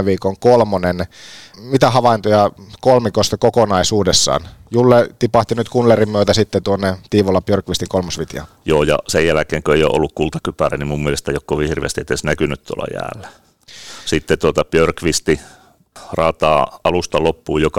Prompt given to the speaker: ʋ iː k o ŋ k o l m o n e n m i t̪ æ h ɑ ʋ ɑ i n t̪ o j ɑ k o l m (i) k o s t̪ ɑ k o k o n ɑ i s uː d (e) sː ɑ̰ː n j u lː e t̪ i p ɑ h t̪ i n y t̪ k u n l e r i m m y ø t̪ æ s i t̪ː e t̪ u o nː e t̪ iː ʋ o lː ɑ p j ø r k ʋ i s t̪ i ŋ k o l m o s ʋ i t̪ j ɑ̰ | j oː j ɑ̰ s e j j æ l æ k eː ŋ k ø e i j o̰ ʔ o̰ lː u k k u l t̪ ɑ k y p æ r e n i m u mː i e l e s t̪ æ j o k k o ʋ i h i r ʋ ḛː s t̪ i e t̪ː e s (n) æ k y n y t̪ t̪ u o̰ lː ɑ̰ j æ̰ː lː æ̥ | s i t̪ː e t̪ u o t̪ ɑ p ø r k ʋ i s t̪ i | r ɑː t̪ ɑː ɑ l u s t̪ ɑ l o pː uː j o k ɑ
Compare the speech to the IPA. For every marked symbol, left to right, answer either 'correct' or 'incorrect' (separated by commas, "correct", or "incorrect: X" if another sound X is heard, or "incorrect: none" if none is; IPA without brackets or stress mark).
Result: correct, correct, correct